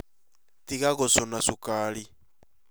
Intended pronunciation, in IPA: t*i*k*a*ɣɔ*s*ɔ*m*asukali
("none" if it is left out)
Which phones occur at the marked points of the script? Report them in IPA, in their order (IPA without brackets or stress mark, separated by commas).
i, a, s, n